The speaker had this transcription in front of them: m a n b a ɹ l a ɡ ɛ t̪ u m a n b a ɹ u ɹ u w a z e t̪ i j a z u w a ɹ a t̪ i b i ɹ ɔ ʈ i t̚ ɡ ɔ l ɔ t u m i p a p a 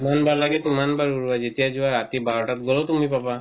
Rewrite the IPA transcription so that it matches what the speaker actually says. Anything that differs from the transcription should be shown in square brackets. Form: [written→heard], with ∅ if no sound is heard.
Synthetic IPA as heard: m a n b a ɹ l a ɡ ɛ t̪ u m a n b a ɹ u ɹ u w a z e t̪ i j a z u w a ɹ a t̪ i b [i→a] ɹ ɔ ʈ [i→a] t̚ ɡ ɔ l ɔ t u m i p a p a